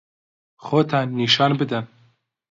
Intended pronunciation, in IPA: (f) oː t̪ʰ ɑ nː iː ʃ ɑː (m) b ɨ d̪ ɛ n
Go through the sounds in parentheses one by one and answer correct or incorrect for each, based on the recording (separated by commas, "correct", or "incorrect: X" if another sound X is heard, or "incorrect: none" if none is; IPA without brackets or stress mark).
incorrect: x, incorrect: n